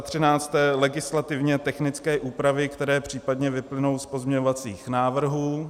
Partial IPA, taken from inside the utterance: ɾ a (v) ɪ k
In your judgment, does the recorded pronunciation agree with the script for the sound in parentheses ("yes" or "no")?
yes